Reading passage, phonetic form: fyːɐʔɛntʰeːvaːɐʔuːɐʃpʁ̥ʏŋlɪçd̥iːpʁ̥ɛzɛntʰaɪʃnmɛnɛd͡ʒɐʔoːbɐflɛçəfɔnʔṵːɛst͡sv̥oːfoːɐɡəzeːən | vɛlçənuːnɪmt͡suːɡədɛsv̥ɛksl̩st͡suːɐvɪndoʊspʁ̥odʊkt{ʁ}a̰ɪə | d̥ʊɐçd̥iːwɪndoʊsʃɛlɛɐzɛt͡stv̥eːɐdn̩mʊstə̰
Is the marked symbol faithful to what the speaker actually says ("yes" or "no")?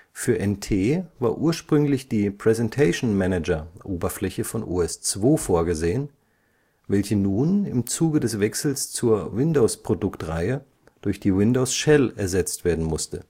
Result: yes